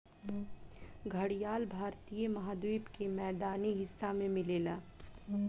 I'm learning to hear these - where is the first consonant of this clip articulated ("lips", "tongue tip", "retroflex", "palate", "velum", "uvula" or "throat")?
velum